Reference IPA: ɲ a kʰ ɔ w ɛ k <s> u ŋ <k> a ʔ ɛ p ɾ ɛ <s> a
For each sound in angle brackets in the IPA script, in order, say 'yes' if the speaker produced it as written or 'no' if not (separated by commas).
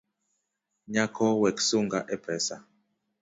yes, no, yes